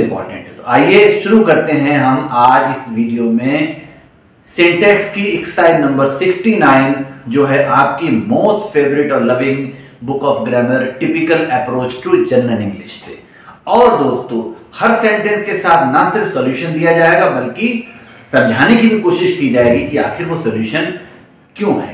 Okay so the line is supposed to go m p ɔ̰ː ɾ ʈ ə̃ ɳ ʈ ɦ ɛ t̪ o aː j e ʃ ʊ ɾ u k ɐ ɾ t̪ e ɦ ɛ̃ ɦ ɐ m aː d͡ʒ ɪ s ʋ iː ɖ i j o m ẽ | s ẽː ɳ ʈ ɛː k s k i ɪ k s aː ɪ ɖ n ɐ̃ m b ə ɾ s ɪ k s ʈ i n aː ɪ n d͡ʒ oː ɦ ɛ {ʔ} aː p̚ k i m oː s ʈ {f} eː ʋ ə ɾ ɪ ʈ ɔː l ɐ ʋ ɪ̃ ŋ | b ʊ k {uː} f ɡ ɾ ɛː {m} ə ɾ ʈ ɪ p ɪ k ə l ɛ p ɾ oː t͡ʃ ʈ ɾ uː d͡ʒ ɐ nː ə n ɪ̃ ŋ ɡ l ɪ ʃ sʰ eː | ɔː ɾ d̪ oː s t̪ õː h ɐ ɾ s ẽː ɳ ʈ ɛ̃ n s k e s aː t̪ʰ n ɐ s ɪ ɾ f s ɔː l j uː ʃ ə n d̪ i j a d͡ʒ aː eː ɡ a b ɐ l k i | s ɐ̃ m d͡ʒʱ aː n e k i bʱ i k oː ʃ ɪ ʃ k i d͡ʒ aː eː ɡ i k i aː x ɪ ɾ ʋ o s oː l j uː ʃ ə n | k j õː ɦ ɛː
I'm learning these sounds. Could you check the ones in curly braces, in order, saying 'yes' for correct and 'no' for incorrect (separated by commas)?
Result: yes, yes, no, yes